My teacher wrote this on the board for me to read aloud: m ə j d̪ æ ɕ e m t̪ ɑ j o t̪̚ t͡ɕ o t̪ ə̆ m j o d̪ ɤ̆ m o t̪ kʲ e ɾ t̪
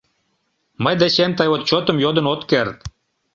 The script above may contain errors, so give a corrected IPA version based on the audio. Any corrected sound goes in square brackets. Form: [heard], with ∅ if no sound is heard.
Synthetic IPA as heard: m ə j d̪ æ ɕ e m t̪ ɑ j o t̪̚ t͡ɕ o t̪ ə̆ m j o d̪ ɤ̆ [n] o t̪ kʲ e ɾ t̪